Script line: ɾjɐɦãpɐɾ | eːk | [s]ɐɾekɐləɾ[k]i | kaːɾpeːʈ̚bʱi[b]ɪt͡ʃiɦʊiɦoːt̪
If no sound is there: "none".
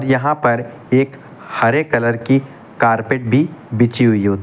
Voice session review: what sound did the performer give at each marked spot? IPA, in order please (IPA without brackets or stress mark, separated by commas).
h, k, b